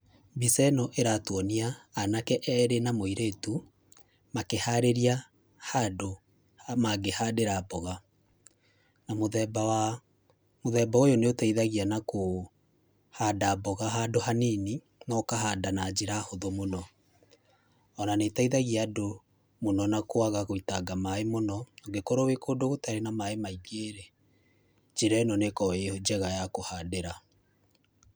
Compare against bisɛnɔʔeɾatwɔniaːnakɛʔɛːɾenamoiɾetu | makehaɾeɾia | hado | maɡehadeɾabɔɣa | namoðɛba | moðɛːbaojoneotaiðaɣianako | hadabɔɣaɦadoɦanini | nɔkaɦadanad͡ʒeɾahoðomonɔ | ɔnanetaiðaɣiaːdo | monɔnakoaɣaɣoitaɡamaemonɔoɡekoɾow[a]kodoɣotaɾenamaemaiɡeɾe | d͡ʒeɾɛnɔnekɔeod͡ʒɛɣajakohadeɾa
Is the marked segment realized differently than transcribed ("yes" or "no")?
yes